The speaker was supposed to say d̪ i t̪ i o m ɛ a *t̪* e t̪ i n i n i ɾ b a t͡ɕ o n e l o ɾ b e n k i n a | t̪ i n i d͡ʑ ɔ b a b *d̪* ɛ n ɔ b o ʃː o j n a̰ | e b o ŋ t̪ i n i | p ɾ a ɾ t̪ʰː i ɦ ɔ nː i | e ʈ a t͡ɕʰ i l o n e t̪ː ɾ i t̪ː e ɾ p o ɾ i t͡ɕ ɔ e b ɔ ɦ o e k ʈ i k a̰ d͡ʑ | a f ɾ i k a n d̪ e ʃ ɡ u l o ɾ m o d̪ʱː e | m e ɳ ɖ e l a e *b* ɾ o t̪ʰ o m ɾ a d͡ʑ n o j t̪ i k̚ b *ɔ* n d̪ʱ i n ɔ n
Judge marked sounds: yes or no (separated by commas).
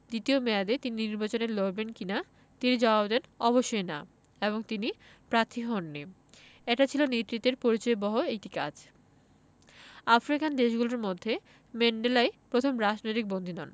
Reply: no, yes, no, no